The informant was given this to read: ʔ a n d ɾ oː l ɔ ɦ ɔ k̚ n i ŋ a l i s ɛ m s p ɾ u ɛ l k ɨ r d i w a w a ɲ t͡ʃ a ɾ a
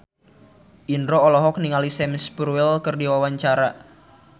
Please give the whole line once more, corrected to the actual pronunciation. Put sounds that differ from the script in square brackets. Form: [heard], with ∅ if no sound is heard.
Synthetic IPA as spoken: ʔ [i] n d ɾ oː l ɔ ɦ ɔ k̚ n i ŋ a l i s ɛ m s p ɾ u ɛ l k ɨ r d i w a w a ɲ t͡ʃ a ɾ a